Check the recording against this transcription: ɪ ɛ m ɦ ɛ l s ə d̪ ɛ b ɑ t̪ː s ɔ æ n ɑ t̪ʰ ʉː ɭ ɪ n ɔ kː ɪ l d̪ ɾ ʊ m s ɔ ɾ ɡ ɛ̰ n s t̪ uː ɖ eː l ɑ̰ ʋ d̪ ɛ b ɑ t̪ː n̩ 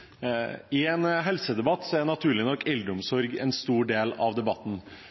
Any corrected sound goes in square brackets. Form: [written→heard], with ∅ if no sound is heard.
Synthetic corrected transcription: ɪ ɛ [m→n] ɦ ɛ l s ə d̪ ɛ b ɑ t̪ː s ɔ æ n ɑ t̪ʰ ʉː ɭ ɪ n ɔ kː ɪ l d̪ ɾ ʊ m s ɔ ɾ ɡ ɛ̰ n s t̪ uː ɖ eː l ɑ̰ ʋ d̪ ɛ b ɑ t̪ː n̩